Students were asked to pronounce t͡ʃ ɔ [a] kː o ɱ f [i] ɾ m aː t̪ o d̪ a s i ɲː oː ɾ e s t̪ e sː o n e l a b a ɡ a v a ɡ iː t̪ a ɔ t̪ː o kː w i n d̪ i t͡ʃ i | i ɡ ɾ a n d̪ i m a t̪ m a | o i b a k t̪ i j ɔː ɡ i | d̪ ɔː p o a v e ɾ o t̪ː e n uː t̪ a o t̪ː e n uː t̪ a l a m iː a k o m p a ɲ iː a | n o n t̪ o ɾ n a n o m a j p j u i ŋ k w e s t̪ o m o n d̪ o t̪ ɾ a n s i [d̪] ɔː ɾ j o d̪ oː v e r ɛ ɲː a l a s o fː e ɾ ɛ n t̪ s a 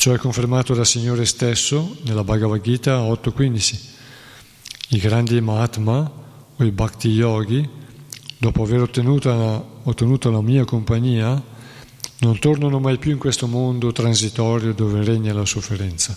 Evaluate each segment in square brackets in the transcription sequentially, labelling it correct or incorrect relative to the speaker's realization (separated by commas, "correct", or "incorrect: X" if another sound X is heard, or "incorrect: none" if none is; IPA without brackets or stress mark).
incorrect: ɛ, incorrect: e, incorrect: t̪